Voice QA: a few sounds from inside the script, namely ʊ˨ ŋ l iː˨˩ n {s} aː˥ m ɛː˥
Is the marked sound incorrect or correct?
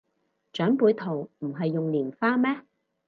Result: incorrect: f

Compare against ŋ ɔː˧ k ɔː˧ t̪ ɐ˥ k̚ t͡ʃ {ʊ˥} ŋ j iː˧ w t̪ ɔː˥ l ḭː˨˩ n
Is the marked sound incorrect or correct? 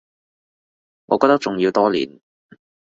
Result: incorrect: ʊ˨˩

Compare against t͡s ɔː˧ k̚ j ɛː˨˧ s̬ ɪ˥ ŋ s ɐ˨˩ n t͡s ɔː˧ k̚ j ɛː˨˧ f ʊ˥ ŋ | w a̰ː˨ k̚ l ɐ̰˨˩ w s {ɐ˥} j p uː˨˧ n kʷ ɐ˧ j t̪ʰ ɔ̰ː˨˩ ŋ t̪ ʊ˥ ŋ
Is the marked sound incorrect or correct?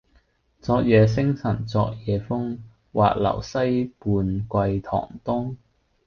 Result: correct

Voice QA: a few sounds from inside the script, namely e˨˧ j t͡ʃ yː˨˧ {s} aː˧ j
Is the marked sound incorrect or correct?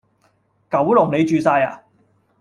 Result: correct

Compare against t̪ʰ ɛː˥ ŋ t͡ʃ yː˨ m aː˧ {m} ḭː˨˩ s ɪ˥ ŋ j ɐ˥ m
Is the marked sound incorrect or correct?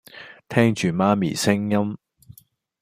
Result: correct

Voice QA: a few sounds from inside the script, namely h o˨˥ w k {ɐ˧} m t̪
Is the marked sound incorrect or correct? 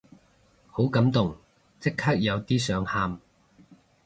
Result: incorrect: ɐ˨˥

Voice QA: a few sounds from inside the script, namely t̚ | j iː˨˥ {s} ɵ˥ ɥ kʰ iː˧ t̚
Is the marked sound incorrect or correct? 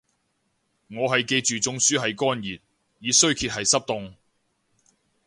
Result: correct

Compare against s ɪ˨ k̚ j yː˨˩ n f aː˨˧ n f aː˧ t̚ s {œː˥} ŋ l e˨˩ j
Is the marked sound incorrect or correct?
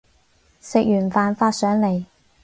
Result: incorrect: œː˨˥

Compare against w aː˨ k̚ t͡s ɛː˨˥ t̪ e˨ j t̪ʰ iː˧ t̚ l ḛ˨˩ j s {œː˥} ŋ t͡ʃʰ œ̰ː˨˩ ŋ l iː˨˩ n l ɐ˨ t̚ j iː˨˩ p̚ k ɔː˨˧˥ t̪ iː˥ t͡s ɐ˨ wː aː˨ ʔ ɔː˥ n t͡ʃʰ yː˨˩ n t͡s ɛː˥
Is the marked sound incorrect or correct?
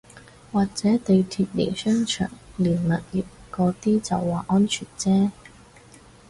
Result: correct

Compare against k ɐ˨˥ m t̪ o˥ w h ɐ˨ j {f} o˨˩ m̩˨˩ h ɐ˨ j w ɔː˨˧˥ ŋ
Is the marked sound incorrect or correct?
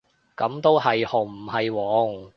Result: incorrect: h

